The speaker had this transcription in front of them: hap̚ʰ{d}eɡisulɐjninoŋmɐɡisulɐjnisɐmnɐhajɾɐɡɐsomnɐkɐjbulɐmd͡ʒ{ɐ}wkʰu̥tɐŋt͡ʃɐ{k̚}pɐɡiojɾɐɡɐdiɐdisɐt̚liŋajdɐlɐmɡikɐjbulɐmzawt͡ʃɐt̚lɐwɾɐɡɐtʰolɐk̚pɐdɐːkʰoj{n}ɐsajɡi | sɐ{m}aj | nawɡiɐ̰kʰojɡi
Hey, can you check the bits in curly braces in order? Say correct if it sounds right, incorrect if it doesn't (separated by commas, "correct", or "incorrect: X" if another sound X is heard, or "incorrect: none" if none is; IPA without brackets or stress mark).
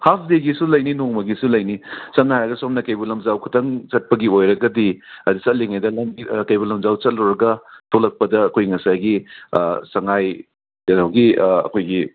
correct, incorrect: a, incorrect: t̚, incorrect: ŋ, incorrect: ŋ